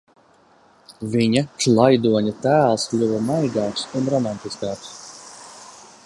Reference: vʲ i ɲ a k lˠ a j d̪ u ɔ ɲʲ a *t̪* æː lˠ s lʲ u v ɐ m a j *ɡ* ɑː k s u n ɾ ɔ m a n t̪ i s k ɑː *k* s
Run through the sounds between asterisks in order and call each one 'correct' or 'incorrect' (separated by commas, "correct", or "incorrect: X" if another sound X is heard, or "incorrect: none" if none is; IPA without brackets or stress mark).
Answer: correct, correct, correct